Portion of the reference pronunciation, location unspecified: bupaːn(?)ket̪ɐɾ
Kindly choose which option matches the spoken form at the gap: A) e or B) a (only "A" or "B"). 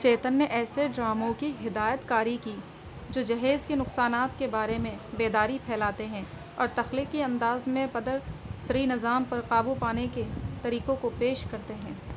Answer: A